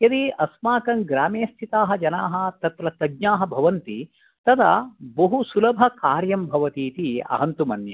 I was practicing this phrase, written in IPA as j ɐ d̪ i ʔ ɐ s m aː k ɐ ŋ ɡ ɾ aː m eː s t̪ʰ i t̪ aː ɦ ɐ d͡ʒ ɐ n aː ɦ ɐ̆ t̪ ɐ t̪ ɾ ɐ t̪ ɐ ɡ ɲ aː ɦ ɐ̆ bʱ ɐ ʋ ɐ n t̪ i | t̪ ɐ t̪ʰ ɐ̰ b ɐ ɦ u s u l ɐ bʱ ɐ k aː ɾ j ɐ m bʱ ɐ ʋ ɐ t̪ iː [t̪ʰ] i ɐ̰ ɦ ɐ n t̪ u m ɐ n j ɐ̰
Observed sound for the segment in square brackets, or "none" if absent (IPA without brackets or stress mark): t̪